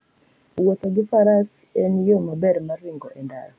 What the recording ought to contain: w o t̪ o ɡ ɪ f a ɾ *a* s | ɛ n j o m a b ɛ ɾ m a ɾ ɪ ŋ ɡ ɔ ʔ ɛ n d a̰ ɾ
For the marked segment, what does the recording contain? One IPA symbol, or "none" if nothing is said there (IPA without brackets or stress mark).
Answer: a